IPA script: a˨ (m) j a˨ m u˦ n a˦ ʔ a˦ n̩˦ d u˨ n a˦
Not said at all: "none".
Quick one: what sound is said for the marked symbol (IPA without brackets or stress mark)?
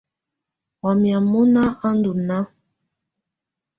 m